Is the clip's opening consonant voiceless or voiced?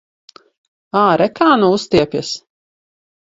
voiced